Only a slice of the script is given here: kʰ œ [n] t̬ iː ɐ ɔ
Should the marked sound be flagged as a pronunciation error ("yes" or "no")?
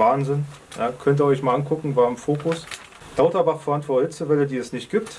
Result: no